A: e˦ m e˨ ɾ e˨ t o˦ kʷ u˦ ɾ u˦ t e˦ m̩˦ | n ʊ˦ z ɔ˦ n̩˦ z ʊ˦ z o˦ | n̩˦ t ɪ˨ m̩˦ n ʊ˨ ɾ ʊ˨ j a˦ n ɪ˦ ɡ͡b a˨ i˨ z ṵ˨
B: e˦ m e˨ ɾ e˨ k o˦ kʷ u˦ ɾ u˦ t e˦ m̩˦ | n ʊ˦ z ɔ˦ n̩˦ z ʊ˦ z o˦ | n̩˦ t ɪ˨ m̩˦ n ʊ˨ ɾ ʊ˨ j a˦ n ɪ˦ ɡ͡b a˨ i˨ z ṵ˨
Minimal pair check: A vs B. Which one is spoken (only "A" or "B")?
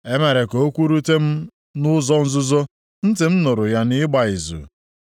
B